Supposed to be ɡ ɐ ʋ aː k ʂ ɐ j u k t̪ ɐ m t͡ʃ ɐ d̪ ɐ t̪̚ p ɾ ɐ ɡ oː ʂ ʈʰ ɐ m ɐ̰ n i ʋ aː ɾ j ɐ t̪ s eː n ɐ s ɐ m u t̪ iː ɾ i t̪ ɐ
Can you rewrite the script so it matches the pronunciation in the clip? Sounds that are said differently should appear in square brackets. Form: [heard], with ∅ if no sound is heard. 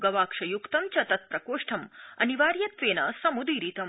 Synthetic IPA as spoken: ɡ ɐ ʋ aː k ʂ ɐ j u k t̪ ɐ m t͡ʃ ɐ [t̪] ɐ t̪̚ p ɾ ɐ [k] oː ʂ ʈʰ ɐ m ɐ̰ n i ʋ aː ɾ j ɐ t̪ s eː n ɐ s ɐ m u [d̪] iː ɾ i t̪ ɐ